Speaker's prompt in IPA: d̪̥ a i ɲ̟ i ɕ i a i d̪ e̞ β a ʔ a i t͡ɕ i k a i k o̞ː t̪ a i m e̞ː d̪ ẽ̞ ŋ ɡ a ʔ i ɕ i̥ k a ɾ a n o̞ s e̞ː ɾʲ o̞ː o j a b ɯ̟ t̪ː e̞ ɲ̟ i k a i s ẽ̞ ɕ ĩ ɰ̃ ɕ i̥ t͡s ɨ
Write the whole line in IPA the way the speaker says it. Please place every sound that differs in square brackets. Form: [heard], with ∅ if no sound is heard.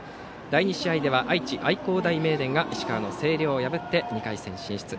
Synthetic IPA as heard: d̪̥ a i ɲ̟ i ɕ i a i d̪ e̞ β a ʔ a i t͡ɕ i [ʔ] a i k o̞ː [d̪] a i m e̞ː d̪ ẽ̞ ŋ ɡ a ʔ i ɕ i̥ k a ɾ a n o̞ s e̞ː ɾʲ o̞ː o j a b ɯ̟ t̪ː e̞ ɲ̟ i k a i s ẽ̞ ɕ ĩ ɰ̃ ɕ i̥ t͡s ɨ